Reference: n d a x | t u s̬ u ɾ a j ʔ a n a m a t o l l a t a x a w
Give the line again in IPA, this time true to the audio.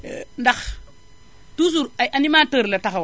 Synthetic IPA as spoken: n d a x | t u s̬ u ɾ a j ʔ a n i m a t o ɾ l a t a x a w